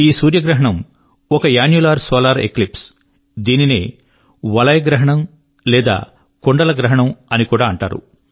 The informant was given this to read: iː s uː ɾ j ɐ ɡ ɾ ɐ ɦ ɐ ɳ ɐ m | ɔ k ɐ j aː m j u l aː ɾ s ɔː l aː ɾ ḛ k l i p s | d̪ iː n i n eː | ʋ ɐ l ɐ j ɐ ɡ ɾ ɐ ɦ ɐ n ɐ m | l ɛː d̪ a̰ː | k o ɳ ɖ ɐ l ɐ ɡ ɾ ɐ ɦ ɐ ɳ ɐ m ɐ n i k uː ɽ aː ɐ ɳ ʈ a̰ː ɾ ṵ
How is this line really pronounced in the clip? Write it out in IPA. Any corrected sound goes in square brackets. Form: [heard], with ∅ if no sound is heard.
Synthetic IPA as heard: iː s uː ɾ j ɐ ɡ ɾ ɐ ɦ ɐ ɳ ɐ m | ɔ k ɐ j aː [n] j u l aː ɾ s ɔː l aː ɾ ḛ k l i p s | d̪ iː n i n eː | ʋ ɐ l ɐ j ɐ ɡ ɾ ɐ ɦ ɐ [ɳ] ɐ m | l ɛː d̪ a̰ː | k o ɳ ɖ ɐ l ɐ ɡ ɾ ɐ ɦ ɐ ɳ ɐ m ɐ n i k uː ɽ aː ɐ ɳ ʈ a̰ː ɾ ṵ